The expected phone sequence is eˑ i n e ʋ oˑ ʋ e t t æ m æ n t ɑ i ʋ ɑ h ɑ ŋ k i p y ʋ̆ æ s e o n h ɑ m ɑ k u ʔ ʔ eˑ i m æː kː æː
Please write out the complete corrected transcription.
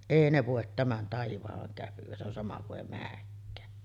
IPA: eˑ i n e ʋ oˑ e t t æ m æ n t ɑ i ʋ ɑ h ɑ ŋ k æ p y ʋ̆ æ s e o n s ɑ m ɑ k u ʔ ʔ eˑ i m æː kː æː